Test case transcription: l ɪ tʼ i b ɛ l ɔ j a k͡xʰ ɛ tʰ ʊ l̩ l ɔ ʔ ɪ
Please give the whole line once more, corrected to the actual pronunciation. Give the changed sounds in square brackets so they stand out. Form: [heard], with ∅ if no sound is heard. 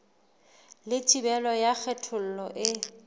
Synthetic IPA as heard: l ɪ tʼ i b ɛ l ɔ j a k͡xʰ ɛ tʰ ʊ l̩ l ɔ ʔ ɪ

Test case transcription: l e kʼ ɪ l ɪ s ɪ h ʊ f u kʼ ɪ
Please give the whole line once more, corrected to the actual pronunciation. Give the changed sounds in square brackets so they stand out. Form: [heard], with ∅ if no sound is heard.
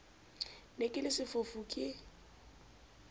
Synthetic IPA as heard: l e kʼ ɪ l ɪ s ɪ [f] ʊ f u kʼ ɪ

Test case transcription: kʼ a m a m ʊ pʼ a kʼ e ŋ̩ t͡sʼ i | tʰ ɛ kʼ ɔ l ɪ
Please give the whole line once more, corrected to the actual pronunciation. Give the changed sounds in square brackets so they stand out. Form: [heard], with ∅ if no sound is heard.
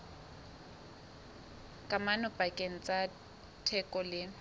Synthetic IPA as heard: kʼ a m a [n] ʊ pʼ a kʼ e ŋ̩ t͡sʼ [a] | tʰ ɛ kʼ ɔ l ɪ

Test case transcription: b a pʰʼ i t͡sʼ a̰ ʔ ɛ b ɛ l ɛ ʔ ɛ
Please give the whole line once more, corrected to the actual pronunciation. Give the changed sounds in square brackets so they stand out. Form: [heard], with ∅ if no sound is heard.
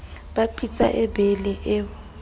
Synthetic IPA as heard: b a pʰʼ i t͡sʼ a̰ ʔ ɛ b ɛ l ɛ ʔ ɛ

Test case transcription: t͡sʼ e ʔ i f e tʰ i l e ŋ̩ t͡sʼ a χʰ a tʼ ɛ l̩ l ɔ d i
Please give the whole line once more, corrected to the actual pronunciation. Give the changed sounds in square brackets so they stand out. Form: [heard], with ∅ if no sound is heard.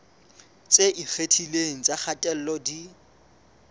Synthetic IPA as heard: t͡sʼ e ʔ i f e tʰ i l e ŋ̩ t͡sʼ a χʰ a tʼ ɛ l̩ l ɔ d i

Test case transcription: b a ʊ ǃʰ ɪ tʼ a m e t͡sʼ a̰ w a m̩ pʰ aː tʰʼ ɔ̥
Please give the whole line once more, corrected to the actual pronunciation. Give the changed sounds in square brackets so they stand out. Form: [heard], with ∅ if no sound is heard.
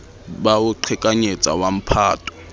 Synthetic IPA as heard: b a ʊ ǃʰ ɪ [kʼ] a [ɲ] e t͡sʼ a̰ w a m̩ pʰ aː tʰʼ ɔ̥

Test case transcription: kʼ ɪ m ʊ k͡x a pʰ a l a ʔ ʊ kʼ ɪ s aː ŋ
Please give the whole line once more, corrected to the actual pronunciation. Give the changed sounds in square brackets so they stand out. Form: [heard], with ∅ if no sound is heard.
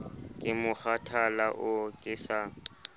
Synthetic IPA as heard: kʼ ɪ m ʊ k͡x a [tʰ] a l a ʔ ʊ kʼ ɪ s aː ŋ

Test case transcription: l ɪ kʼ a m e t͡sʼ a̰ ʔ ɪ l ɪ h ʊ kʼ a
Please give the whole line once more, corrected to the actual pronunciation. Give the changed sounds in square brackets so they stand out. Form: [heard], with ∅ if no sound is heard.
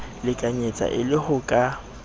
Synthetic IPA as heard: l ɪ kʼ a [ɲ] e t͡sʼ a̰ ʔ ɪ l ɪ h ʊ kʼ a

